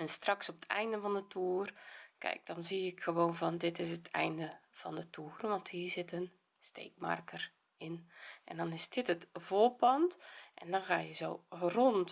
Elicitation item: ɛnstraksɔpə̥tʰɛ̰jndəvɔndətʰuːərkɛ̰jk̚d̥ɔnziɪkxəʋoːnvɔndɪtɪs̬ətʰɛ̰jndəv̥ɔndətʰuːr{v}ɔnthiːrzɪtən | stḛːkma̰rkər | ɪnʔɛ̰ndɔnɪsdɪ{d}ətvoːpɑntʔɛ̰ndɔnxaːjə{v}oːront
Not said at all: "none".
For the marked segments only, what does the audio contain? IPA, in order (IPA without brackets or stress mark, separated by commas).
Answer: ʋ, t, z